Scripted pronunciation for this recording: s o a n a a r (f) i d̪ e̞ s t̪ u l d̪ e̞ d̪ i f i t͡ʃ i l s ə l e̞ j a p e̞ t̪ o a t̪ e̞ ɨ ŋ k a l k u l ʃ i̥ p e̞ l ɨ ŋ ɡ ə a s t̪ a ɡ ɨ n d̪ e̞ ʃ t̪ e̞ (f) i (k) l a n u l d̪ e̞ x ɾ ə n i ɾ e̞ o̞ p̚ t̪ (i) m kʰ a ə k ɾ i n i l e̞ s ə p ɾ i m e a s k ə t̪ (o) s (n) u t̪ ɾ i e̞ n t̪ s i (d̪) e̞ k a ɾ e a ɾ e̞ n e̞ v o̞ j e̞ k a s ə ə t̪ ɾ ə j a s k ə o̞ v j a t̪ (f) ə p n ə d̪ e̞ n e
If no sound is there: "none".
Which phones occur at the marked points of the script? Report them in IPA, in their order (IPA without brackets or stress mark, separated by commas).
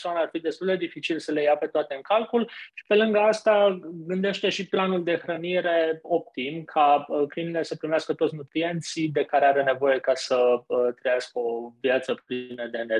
f, ʃ, p, i, o, n, d̪, s